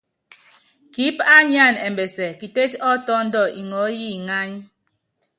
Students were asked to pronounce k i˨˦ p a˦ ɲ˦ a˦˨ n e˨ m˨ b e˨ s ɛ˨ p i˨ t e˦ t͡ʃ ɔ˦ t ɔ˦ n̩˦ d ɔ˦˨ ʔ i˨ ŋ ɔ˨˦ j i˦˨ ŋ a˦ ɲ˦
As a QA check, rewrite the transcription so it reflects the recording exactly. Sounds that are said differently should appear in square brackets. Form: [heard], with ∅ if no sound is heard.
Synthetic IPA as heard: k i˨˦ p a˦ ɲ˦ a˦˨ n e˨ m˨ b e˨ s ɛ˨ [k] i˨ t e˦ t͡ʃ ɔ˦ t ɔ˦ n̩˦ d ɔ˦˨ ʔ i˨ ŋ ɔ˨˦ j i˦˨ ŋ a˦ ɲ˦